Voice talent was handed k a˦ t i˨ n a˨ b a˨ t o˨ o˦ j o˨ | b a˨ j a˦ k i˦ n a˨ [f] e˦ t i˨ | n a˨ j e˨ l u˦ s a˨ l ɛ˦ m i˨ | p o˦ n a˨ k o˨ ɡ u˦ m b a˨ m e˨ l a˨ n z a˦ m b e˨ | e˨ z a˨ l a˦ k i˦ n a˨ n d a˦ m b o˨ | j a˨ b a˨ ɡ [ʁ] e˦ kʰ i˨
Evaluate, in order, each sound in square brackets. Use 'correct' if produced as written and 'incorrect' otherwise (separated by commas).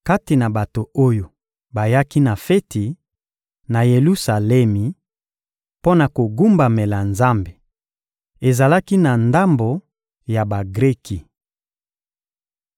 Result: correct, correct